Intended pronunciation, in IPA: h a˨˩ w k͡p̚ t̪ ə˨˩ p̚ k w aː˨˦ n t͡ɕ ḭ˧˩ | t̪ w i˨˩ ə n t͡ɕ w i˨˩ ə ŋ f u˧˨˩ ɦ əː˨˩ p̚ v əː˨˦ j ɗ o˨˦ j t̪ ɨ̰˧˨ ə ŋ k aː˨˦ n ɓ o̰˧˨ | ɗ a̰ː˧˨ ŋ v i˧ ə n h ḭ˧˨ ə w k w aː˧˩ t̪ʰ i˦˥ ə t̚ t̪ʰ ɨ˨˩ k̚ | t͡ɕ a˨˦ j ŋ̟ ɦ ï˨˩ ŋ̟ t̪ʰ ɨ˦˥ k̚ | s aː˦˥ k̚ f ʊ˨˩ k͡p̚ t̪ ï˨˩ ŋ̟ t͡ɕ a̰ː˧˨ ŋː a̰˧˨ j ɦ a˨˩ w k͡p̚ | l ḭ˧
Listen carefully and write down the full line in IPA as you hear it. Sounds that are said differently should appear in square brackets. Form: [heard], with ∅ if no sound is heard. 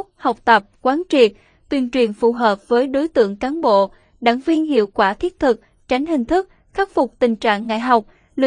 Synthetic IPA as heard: h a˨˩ w k͡p̚ t̪ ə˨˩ p̚ k w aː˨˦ n t͡ɕ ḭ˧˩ | t̪ w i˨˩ ə n t͡ɕ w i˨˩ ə [n] f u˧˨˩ ɦ əː˨˩ p̚ v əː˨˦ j ɗ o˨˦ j t̪ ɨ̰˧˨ ə ŋ k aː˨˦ n ɓ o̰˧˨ | ɗ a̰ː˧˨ ŋ v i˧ ə n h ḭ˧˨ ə w k w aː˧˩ t̪ʰ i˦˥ ə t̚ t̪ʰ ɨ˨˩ k̚ | t͡ɕ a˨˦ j ŋ̟ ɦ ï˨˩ ŋ̟ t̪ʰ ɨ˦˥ k̚ | [x] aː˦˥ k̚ f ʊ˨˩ k͡p̚ t̪ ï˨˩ ŋ̟ t͡ɕ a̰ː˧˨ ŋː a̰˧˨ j ɦ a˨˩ w k͡p̚ | l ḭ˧